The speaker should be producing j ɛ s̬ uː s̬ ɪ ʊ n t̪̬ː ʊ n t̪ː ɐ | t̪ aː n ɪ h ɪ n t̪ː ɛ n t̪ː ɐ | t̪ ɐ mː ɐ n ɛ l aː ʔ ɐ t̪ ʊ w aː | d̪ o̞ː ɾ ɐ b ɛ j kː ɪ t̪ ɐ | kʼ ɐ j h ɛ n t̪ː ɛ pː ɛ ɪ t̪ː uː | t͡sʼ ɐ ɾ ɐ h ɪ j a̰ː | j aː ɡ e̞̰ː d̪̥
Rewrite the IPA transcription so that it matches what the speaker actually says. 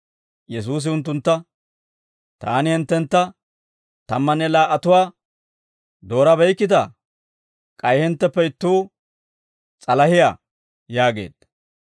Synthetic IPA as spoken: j ɛ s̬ uː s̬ ɪ ʊ n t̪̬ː ʊ n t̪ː ɐ | t̪ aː n ɪ h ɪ n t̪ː ɛ n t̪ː ɐ | t̪ ɐ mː ɐ n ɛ l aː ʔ ɐ t̪ ʊ w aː | d̪ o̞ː ɾ ɐ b ɛ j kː ɪ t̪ ɐ | kʼ ɐ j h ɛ n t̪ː ɛ pː ɛ ɪ t̪ː uː | t͡sʼ ɐ l ɐ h ɪ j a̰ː | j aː ɡ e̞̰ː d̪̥

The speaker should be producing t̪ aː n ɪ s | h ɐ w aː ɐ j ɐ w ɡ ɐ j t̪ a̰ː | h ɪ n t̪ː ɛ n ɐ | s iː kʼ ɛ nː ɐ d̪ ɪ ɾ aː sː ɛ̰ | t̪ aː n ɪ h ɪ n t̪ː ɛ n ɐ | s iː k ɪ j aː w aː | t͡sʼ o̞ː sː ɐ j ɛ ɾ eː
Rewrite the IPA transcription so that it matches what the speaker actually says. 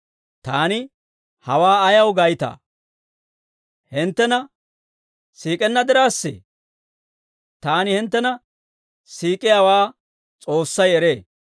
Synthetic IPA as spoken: t̪ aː n ɪ | h ɐ w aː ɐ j ɐ w ɡ ɐ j t̪ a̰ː | h ɪ n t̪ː ɛ n ɐ | s iː kʼ ɛ nː ɐ d̪ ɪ ɾ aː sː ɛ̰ | t̪ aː n ɪ h ɪ n t̪ː ɛ n ɐ | s iː kʼ ɪ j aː w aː | t͡sʼ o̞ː sː ɐ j ɛ ɾ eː

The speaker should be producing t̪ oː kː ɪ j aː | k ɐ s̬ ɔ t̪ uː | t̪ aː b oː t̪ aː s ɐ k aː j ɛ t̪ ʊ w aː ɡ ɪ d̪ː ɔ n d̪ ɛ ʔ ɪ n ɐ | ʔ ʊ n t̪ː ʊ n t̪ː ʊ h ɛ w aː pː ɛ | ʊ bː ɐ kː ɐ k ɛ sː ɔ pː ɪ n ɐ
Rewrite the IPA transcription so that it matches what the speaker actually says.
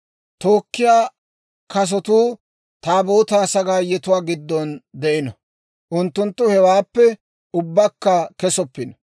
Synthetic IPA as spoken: t̪ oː kː ɪ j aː | k ɐ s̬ ɔ t̪ uː | t̪ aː b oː t̪ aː s ɐ ɡ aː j ɛ t̪ ʊ w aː ɡ ɪ d̪ː ɔ n d̪ ɛ ʔ ɪ n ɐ | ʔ ʊ n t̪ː ʊ n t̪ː ʊ h ɛ w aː pː ɛ | ʊ bː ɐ kː ɐ k ɛ s ɔ pː ɪ n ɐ

